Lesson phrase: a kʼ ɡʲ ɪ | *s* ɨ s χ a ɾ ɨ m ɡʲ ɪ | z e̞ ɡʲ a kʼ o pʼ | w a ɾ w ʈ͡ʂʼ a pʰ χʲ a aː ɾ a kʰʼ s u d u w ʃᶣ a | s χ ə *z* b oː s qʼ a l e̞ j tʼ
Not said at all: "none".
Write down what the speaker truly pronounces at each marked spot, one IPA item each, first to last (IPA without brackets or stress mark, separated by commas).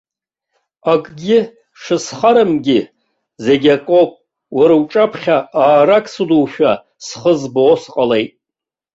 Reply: ʂ, z